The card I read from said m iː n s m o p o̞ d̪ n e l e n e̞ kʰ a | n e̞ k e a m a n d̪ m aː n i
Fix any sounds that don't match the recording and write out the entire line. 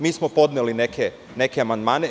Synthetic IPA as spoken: m iː s m o p o̞ d̪ n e l i n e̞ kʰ e | n e̞ k e a m a n d̪ m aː n e